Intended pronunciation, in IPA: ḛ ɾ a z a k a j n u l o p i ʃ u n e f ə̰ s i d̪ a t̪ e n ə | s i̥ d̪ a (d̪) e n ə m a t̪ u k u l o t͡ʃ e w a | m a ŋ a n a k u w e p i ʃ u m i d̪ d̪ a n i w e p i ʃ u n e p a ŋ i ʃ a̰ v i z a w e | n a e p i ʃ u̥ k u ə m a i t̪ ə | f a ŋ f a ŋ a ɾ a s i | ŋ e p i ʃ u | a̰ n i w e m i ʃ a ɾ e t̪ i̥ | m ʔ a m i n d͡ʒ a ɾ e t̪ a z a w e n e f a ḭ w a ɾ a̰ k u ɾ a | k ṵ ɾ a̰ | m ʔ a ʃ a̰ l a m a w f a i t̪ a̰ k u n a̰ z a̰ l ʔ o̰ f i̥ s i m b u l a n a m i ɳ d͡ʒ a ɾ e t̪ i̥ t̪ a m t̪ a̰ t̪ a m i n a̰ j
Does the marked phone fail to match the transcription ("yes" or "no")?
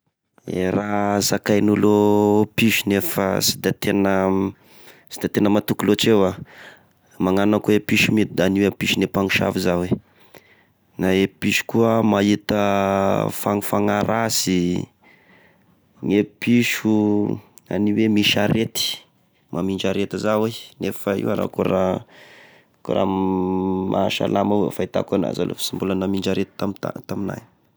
yes